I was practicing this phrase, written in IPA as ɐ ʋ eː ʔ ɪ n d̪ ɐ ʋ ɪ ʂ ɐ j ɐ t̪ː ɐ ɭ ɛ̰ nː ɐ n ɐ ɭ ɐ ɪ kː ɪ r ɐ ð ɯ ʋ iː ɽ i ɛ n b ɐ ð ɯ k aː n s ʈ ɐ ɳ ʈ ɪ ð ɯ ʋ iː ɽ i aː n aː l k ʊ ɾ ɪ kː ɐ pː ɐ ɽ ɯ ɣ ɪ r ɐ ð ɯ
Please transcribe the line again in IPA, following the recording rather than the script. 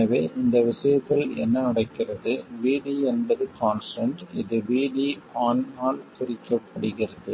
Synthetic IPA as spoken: ɐ ʋ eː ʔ ɪ n d̪ ɐ ʋ ɪ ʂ ɐ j ɐ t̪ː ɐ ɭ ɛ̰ nː ɐ n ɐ ɽ ɐ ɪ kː ɪ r ɐ ð ɯ ʋ iː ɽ i ɛ n b ɐ ð ɯ k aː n s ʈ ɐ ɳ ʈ ɪ ð ɯ ʋ iː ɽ i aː n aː l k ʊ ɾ ɪ kː ɐ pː ɐ ɽ ɯ ɣ ɪ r ɐ ð ɯ